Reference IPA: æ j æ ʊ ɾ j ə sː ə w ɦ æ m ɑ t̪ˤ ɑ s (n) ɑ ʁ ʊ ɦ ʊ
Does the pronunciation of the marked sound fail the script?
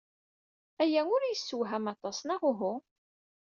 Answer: no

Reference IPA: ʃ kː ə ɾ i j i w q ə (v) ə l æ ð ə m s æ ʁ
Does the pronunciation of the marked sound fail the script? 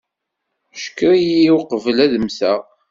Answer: no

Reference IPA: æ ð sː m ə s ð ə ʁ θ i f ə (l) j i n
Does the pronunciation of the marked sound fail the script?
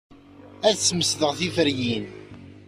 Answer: yes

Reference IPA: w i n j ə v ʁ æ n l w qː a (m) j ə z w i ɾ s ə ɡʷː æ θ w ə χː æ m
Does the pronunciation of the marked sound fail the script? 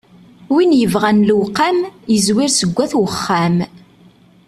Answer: no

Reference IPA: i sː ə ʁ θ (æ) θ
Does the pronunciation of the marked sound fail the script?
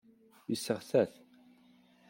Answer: no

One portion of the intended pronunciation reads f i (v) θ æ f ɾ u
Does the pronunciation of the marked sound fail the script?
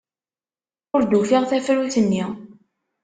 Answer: yes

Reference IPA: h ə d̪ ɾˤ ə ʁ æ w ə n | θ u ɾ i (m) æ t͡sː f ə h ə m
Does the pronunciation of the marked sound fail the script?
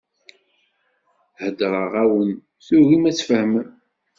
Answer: no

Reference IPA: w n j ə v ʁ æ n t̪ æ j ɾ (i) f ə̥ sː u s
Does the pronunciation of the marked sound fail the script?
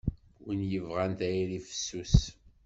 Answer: no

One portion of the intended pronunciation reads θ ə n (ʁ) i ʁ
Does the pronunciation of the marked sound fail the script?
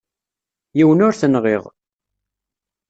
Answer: no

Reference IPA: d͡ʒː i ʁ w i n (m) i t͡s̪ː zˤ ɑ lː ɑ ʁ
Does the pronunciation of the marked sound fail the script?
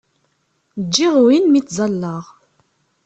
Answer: no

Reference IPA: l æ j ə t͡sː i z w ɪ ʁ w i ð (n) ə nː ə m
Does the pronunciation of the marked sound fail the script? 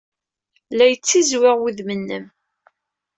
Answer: yes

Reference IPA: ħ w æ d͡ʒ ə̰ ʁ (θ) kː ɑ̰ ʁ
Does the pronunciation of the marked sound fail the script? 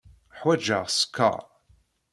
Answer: yes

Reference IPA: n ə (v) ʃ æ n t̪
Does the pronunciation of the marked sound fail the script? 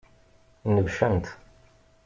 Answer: no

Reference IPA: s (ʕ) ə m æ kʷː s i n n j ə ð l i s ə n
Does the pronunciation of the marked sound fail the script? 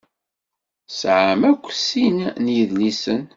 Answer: no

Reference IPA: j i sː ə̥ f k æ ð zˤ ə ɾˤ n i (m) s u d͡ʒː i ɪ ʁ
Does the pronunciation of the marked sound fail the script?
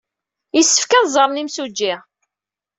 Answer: no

